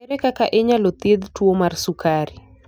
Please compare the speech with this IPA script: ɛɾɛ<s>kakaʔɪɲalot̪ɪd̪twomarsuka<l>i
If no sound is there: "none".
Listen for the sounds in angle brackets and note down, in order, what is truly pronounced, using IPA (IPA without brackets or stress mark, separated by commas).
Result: none, ɾ